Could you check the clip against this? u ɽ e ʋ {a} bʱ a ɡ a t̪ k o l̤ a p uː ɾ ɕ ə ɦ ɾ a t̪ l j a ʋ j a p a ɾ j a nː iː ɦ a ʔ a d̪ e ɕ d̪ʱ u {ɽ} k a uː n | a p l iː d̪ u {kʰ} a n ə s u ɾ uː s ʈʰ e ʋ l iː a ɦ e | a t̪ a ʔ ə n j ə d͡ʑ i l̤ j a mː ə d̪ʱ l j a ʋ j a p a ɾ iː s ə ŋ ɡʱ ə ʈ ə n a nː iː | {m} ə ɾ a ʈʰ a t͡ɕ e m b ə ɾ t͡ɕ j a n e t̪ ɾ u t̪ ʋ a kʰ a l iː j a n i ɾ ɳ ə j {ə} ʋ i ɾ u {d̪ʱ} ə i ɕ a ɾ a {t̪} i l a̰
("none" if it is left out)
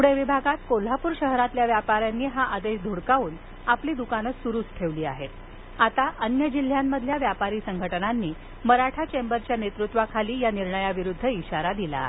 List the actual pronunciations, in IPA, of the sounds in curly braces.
i, ɽ, k, m, a, d̪ʱː, d̪

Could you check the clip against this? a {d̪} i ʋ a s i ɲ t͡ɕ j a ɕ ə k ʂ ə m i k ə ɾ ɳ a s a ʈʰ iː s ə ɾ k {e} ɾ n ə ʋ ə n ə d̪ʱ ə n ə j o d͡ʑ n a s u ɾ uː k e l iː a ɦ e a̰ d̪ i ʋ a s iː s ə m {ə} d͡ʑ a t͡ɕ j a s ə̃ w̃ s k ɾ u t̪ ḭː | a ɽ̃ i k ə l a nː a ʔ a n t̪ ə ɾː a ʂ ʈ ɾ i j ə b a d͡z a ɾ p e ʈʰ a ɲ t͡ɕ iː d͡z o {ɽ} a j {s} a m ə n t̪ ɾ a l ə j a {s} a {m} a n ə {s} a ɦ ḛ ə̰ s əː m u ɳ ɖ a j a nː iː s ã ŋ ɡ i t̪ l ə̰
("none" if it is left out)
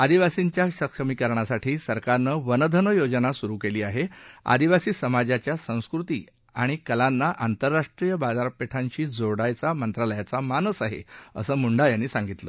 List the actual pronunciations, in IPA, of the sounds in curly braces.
d̪, a, a, ɽ, t͡s, t͡s, m, s

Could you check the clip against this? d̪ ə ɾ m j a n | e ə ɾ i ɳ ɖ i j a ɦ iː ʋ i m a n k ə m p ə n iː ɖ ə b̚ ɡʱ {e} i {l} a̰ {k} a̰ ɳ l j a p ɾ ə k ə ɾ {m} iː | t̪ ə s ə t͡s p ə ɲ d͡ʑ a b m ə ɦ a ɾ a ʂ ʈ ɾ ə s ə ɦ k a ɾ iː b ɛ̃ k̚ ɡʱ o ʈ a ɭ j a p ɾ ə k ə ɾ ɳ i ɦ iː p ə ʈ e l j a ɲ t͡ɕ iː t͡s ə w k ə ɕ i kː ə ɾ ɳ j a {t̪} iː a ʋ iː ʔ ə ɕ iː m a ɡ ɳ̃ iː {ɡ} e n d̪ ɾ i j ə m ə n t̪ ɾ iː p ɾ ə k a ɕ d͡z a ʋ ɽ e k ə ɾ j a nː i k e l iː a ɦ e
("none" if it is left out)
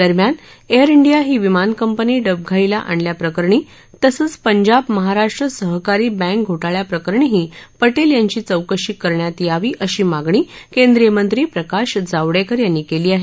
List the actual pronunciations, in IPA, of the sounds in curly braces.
a, l, ʔ, ɳ, t̪, k

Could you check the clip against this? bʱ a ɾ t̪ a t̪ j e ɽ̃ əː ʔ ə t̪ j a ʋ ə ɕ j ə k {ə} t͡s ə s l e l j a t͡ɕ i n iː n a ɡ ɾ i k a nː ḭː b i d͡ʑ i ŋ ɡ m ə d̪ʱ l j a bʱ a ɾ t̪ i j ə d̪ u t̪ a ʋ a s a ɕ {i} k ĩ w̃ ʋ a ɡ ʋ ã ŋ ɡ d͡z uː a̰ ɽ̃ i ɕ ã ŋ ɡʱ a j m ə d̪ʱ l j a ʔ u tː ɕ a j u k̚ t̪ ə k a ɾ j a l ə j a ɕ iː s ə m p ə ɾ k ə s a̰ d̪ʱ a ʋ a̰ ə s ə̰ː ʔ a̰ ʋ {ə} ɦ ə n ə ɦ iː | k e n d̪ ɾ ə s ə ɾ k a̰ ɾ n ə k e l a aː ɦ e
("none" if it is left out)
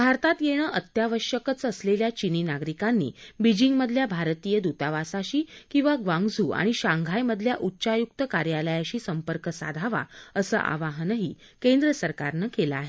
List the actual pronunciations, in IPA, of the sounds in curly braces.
ə, iː, a

